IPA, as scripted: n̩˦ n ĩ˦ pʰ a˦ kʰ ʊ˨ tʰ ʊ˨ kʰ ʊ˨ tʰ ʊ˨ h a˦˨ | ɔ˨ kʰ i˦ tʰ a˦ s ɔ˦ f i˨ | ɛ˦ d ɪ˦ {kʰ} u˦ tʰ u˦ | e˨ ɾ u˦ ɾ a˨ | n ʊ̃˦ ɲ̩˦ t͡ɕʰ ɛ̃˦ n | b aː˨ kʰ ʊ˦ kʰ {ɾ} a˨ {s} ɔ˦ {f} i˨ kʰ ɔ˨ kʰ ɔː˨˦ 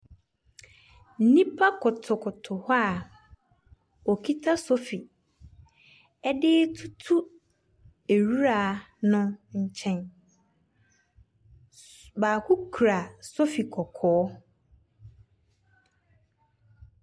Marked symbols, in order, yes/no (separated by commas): no, yes, yes, yes